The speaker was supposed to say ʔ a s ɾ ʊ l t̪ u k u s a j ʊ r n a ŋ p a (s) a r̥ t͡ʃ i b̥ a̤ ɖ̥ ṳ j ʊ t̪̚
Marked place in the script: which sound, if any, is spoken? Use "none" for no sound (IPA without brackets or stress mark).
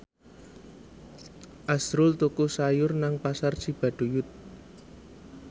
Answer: s